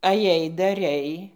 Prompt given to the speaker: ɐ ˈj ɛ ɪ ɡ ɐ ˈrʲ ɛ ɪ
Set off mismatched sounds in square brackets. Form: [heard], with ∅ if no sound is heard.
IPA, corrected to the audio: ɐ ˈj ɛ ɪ [d] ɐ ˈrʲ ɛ ɪ